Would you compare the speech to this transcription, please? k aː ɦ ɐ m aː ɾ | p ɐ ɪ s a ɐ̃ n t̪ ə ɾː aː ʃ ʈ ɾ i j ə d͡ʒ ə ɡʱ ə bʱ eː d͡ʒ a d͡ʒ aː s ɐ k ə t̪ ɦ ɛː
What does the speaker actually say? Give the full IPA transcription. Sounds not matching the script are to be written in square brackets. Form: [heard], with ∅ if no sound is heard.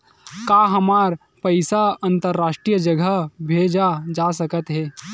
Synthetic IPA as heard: k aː ɦ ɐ m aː ɾ | p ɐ ɪ s a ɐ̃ n t̪ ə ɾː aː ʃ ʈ ɾ i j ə d͡ʒ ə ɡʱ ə bʱ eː d͡ʒ a d͡ʒ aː s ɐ k ə t̪ ɦ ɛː